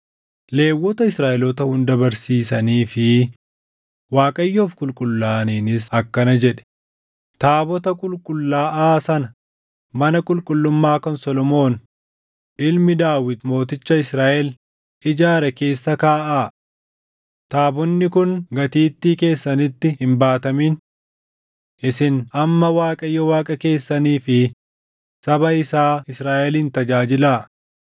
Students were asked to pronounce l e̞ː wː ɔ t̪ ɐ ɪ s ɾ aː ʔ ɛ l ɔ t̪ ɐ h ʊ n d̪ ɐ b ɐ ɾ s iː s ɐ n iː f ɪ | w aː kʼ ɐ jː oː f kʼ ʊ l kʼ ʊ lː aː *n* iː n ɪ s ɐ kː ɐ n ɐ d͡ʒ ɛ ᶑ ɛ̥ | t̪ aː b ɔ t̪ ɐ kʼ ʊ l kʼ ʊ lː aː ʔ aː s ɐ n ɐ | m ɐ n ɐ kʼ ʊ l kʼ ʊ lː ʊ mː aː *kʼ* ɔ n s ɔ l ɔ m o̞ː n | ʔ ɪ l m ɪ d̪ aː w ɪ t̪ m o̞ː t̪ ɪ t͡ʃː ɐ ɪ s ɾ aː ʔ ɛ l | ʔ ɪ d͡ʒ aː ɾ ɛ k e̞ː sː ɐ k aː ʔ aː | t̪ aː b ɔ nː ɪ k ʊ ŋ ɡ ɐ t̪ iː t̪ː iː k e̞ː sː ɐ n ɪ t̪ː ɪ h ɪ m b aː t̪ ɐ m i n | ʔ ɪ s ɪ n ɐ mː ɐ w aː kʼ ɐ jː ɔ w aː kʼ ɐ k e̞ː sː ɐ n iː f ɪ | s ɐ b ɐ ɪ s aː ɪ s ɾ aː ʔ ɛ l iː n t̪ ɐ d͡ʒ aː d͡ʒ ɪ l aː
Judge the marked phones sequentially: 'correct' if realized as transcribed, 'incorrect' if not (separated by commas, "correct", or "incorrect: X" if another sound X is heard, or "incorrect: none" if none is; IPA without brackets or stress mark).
correct, incorrect: k